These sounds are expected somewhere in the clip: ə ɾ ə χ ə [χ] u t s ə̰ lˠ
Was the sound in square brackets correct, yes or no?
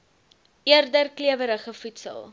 no